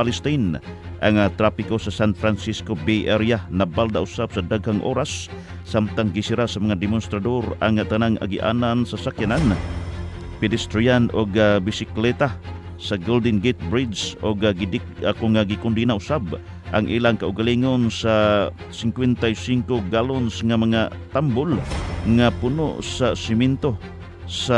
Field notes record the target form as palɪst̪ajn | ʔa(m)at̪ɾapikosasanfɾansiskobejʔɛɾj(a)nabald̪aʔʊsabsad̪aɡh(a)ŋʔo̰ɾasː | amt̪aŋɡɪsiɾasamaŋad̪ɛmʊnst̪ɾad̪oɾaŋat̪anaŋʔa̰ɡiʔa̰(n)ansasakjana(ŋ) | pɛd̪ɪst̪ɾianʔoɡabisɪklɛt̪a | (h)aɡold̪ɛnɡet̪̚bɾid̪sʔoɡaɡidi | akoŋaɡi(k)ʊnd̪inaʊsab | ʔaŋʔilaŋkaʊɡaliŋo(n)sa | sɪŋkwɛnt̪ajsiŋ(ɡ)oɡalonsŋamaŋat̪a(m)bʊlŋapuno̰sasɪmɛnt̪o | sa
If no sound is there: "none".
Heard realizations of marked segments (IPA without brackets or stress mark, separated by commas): ŋ, a, a, n, n, s, k, n, k, m